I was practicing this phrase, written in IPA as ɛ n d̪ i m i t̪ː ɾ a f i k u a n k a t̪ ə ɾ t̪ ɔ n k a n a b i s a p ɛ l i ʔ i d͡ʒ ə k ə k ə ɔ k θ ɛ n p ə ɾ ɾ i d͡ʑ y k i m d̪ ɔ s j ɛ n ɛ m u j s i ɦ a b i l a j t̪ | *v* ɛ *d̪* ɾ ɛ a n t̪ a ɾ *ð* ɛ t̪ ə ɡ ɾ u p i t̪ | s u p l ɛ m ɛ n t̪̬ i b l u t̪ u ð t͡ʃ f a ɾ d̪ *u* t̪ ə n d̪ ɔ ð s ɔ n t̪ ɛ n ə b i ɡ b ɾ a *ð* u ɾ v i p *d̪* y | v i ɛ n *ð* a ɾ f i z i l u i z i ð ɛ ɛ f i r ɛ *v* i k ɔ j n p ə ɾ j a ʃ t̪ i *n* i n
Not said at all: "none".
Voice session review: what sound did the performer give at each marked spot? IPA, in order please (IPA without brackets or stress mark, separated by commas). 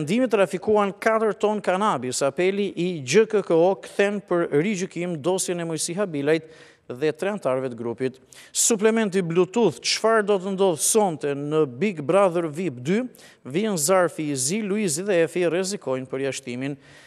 ð, t̪, v, ɔ, ð, d̪, z, z, m